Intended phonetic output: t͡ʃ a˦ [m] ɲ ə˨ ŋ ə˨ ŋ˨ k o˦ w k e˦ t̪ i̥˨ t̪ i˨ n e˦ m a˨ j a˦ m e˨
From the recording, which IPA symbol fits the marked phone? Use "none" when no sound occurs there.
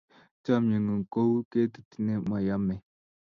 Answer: m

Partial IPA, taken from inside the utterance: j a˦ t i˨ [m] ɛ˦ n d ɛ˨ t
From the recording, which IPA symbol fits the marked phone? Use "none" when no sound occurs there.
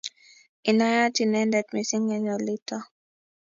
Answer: n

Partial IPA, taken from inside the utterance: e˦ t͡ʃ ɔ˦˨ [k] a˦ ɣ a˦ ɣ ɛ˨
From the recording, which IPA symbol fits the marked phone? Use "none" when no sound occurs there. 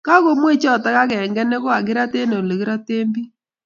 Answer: t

